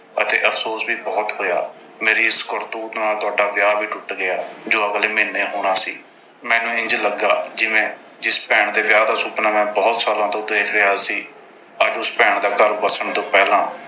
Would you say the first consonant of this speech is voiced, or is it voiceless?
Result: voiceless